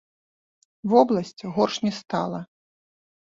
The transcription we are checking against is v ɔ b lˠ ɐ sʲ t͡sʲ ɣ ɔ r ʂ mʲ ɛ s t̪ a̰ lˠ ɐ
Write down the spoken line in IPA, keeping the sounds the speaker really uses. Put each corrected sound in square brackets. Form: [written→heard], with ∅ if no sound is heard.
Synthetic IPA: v ɔ b lˠ ɐ sʲ t͡sʲ ɣ ɔ r ʂ [mʲ→nʲ] ɛ s t̪ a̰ lˠ ɐ